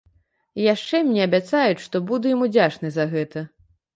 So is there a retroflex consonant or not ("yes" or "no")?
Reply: yes